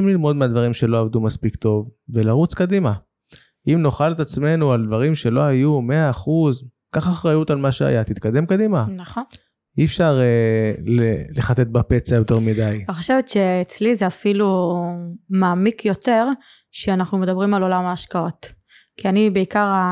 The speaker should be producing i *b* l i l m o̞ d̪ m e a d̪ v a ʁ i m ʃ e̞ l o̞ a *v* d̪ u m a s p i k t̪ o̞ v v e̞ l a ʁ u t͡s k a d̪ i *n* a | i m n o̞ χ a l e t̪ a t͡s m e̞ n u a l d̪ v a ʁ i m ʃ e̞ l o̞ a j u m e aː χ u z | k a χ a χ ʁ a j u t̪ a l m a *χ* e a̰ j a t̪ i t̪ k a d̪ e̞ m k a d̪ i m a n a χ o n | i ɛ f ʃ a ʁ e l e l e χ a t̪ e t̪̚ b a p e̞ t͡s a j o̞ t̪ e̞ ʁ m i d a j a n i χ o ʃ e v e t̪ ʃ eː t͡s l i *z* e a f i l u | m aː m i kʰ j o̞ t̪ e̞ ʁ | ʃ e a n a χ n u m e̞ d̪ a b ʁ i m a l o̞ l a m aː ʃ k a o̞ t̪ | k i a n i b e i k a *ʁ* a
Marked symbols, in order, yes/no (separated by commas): no, yes, no, no, yes, yes